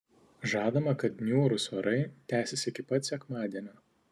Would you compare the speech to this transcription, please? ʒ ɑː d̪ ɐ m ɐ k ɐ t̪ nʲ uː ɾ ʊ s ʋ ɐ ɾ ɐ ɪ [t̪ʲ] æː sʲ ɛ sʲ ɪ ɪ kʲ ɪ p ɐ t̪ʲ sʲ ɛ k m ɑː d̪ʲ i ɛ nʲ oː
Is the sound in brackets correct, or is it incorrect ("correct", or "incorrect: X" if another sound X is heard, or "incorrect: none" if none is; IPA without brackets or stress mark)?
correct